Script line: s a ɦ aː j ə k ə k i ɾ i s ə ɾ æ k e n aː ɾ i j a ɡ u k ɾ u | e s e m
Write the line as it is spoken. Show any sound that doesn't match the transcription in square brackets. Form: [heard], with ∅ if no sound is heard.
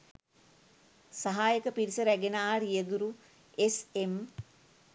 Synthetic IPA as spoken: s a ɦ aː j ə k ə [p] i ɾ i s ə ɾ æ [ɡ] e n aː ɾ i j [ə] ɡ u [∅] ɾ u | e s e m